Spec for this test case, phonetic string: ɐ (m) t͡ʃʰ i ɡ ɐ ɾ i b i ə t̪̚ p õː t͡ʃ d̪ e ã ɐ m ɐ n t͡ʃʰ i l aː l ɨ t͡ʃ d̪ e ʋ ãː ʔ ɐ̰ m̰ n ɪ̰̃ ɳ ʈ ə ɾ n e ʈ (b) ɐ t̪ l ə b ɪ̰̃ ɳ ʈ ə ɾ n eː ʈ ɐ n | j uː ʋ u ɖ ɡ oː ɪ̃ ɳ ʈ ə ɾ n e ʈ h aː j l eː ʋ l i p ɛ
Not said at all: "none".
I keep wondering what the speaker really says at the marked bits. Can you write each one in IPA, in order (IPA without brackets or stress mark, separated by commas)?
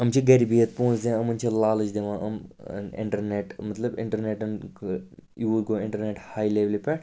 m, m